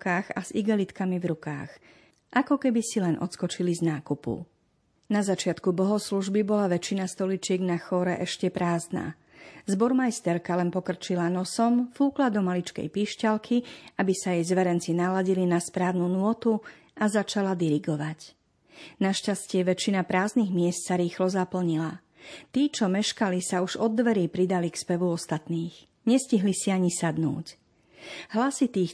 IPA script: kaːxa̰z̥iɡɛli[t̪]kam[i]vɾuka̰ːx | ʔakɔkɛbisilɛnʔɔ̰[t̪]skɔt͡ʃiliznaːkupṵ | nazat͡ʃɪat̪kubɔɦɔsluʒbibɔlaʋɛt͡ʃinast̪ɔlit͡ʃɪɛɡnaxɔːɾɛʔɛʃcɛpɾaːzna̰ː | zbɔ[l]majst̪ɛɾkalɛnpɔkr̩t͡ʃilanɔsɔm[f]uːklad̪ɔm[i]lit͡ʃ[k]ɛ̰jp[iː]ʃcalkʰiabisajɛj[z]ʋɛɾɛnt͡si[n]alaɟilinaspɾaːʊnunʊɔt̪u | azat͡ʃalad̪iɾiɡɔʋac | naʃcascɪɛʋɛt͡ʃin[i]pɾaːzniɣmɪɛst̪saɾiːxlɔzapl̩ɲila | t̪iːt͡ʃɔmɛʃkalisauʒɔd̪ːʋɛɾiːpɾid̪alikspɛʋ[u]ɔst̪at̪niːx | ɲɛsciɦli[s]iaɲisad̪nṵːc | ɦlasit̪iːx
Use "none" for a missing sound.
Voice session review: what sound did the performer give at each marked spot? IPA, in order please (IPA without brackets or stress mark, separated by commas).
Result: t̪, i, t̪, ɾ, f, a, k, iː, z, n, a, u, s